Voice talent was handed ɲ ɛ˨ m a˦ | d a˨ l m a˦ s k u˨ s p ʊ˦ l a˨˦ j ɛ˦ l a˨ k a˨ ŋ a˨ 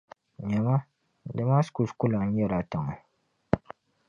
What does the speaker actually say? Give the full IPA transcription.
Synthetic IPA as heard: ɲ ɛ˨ m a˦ | d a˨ m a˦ s k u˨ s k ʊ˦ l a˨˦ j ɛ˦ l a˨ t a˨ ŋ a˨

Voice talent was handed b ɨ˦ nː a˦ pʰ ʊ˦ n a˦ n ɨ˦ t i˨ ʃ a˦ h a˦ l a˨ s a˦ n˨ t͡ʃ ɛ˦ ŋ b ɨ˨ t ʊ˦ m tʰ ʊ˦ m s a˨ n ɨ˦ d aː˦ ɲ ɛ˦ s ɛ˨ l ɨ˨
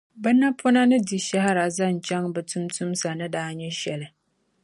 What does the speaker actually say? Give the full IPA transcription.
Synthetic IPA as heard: b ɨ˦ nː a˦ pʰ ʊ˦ n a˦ n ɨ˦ d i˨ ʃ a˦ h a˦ ɾ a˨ z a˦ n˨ t͡ʃ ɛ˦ ŋ b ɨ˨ t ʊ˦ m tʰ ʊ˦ m s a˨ n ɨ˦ d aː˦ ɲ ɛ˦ ʃ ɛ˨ l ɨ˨

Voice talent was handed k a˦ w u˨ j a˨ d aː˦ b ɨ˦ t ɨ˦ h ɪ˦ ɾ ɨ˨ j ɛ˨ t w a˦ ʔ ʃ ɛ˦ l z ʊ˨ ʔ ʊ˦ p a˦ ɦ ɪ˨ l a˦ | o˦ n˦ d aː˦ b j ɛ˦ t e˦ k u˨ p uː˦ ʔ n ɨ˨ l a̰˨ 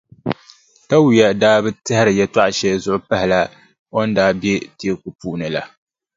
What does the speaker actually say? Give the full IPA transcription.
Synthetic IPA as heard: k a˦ w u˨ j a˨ d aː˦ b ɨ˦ t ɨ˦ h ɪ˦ ɾ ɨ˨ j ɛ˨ t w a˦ ʔ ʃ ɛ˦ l z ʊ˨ ʔ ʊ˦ p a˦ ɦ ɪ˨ l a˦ | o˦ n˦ d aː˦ b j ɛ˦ t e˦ k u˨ p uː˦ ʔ n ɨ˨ l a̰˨

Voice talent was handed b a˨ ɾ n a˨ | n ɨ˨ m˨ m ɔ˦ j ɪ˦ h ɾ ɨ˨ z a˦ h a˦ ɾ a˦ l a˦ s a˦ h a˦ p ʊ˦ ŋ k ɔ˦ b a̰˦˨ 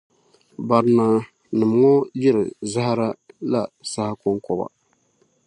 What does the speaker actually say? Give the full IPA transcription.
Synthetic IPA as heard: b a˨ ɾ n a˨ | n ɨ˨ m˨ ŋ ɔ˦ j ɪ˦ ɾ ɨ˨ z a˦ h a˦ ɾ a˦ l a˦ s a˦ h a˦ k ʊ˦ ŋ k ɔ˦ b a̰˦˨

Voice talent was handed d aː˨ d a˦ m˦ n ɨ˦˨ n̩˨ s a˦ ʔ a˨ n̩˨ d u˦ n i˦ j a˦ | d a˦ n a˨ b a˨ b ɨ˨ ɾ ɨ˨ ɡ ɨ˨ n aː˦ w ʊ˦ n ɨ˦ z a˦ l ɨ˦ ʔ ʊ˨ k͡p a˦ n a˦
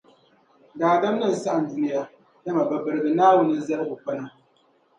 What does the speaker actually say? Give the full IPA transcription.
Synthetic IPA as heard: d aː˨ d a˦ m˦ n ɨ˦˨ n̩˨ s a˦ ʔ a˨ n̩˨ d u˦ n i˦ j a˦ | d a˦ m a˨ b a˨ b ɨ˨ ɾ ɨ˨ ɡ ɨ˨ n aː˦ w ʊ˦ n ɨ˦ z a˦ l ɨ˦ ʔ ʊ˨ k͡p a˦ n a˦

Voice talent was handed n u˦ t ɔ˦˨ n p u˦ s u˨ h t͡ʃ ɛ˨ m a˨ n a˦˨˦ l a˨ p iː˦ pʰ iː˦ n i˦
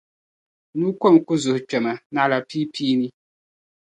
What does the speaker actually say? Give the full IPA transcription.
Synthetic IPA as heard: n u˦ k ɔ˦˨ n k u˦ z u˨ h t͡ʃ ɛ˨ m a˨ n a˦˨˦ l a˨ p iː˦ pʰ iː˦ n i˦

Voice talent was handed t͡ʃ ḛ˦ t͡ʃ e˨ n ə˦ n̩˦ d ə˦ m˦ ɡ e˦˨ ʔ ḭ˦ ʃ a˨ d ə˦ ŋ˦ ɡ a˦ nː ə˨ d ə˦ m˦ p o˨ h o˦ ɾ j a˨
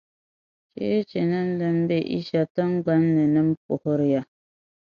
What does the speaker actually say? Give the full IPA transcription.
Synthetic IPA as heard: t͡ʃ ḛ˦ t͡ʃ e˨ n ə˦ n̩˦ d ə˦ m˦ b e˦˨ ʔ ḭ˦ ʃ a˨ t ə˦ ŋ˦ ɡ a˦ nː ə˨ n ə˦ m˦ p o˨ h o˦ ɾ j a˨

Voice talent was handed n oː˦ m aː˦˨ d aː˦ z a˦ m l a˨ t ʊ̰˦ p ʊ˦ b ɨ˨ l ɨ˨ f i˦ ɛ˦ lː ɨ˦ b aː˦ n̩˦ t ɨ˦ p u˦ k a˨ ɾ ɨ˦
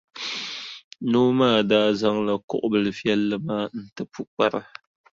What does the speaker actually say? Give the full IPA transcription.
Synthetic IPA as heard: n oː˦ m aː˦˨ d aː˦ z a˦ ŋ l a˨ k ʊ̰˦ ʔ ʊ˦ b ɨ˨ l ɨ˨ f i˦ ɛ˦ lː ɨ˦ m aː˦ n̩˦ t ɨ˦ p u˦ k͡p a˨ ɾ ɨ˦

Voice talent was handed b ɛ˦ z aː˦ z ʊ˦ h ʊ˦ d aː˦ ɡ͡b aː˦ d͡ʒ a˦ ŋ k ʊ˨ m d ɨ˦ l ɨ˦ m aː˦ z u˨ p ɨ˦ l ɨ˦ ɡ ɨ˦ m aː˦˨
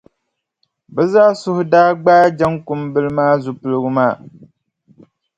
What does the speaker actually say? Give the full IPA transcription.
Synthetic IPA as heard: b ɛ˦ z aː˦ s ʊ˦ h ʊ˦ d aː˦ ɡ͡b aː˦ d͡ʒ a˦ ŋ k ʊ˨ m b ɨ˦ l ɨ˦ m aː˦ z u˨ p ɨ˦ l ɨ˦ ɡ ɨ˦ m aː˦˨

